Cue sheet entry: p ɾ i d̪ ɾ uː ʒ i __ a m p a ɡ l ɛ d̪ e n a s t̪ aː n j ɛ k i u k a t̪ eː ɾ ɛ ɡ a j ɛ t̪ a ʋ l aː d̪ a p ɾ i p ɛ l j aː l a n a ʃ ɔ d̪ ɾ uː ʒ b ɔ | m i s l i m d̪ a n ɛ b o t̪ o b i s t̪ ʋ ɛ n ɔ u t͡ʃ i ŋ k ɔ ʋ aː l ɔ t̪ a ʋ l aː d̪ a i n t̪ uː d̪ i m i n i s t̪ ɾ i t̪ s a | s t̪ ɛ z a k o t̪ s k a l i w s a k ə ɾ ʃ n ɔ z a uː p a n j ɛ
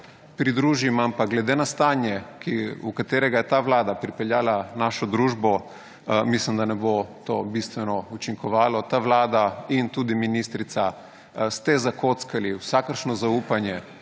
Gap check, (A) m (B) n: A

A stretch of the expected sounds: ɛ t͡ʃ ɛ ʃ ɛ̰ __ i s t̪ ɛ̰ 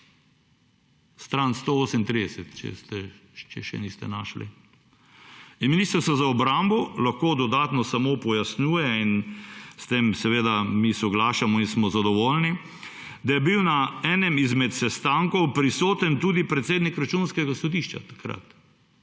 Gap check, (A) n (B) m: A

